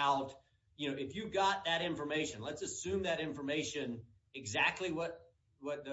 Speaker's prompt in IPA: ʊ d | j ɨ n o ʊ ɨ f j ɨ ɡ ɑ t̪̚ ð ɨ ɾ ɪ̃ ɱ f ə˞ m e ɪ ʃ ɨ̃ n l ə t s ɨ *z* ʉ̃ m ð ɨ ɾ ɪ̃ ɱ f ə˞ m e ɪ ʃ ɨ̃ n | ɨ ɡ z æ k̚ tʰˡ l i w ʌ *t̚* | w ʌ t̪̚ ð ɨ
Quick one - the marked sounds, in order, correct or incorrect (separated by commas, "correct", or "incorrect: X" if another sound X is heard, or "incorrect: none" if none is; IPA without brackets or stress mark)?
incorrect: s, correct